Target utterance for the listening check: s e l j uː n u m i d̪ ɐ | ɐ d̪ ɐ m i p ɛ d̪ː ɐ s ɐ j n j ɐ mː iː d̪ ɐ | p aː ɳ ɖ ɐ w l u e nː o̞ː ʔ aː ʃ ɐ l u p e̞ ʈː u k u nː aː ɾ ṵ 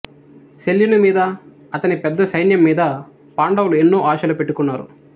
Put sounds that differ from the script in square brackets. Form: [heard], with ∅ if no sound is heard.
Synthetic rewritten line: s e l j [u] n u m [iː] d̪ ɐ | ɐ [t̪] ɐ [n] i p ɛ d̪ː ɐ s ɐ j n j ɐ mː iː d̪ ɐ | p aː ɳ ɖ ɐ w l u e nː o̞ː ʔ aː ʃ ɐ l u p e̞ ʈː u k u nː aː ɾ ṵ